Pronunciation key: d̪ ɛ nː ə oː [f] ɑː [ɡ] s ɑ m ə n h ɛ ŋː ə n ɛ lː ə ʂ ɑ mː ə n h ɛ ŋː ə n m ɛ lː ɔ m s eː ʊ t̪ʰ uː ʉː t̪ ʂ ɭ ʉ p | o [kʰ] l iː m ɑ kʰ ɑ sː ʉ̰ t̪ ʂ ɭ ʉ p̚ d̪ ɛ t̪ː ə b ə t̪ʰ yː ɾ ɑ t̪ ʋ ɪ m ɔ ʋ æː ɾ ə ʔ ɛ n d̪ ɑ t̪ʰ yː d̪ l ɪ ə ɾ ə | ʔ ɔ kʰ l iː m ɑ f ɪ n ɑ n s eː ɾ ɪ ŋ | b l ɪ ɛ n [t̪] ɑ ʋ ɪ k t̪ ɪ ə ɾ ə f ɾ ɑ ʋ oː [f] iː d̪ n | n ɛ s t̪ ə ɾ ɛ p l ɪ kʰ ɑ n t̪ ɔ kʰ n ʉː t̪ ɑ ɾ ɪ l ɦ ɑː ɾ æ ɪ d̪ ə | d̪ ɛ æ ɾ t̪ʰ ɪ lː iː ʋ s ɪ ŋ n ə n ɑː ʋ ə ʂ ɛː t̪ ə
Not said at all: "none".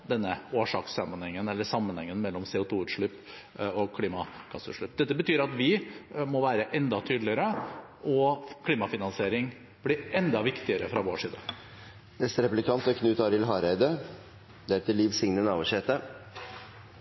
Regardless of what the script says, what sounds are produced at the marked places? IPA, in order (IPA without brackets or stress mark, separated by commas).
ʂ, k, kʰ, d̪, ʂ